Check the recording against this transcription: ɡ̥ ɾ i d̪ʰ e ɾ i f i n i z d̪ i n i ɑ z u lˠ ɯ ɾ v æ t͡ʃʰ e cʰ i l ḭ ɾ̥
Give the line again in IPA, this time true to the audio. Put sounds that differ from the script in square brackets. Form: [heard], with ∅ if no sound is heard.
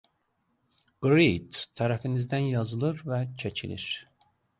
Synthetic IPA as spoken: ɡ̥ ɾ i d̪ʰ [æ] ɾ [æ] f i n i z d̪ [æ] n [j] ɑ z [ɯ] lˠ ɯ ɾ v æ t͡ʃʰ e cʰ i l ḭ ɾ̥